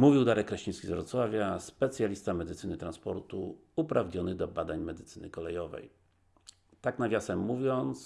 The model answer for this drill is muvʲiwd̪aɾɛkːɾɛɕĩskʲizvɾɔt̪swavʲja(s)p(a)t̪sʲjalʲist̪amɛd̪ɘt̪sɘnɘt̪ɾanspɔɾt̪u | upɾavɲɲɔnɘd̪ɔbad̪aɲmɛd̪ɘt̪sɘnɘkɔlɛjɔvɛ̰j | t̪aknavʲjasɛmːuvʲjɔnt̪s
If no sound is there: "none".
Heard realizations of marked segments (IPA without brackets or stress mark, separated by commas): s, ɛ